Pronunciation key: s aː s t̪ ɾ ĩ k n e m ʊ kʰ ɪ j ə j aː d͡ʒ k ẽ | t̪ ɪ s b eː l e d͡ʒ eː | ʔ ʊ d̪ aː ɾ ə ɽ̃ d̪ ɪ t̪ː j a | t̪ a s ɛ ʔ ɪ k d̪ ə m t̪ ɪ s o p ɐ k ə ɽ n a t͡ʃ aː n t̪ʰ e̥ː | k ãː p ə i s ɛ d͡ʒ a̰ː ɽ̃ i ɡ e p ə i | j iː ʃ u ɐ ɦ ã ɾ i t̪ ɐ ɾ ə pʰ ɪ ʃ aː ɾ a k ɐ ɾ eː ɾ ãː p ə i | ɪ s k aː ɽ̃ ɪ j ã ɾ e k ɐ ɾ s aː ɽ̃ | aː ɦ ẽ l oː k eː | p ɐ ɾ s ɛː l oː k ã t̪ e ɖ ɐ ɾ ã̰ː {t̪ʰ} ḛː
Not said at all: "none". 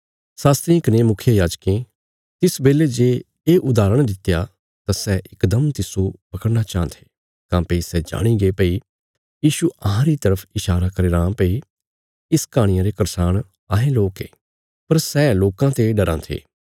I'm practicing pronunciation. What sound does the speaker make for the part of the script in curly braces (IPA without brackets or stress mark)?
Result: t̪ʰ